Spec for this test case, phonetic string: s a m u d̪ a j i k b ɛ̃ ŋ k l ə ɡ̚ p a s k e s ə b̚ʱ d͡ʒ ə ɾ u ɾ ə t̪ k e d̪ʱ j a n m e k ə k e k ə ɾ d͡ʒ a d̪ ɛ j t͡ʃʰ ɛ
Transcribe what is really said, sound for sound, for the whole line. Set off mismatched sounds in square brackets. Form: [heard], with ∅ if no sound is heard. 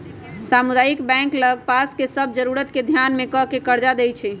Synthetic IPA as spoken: s a m u d̪ a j i k b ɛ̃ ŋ k l ə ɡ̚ p a s k e s ə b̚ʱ d͡ʒ ə ɾ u ɾ ə t̪ k e d̪ʱ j a n m e k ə k e k ə ɾ d͡ʒ a d̪ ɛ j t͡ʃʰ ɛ